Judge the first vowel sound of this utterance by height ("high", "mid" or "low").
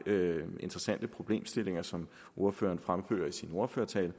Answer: mid